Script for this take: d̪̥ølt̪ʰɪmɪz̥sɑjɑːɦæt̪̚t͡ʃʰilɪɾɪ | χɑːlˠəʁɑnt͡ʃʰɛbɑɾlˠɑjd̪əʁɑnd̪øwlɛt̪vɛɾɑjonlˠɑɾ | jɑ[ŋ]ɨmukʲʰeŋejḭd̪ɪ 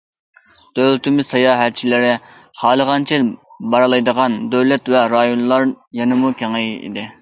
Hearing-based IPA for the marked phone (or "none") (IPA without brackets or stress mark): n